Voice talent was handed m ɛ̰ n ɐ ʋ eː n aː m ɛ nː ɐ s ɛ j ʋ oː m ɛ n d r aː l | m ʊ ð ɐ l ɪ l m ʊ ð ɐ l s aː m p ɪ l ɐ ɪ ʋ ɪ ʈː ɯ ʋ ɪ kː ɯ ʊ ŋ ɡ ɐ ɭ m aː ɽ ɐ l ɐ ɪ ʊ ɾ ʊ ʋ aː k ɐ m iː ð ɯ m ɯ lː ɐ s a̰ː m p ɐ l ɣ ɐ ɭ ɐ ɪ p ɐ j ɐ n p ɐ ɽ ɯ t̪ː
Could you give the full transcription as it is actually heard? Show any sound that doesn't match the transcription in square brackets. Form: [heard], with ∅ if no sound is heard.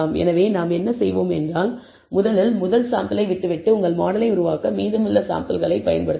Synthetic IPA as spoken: m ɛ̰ n ɐ ʋ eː n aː m ɛ nː ɐ s ɛ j ʋ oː m ɛ n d r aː l | m ʊ ð ɐ l ɪ l m ʊ ð ɐ l s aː m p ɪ l ɐ ɪ ʋ ɪ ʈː ɯ ʋ ɪ [ʈː] ɯ ʊ ŋ ɡ ɐ ɭ m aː ɽ ɐ l ɐ ɪ ʊ ɾ ʊ ʋ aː k ɐ m iː ð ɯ m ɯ lː ɐ s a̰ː m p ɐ l ɣ ɐ ɭ ɐ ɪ p ɐ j ɐ n p ɐ ɽ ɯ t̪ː